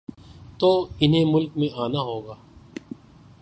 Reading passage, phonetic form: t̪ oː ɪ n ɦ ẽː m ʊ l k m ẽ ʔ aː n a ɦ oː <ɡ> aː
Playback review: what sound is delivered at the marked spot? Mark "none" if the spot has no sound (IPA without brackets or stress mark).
ɡ